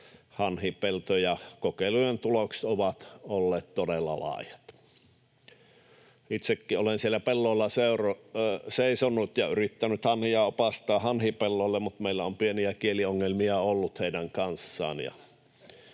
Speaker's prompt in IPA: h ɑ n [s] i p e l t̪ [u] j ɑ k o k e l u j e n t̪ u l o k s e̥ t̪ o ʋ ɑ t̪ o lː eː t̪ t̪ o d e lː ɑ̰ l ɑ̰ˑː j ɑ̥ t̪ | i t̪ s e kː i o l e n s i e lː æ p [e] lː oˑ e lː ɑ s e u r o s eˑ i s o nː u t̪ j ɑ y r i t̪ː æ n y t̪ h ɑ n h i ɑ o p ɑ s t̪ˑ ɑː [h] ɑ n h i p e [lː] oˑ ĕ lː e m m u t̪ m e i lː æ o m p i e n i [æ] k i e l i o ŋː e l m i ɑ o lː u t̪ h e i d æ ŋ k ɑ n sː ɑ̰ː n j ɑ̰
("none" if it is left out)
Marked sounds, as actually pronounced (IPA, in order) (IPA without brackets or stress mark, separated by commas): h, o, e, h, lː, æ